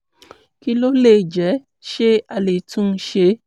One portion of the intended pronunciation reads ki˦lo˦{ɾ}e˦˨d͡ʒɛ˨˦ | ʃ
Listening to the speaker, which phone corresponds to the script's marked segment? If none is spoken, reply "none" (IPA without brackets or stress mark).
l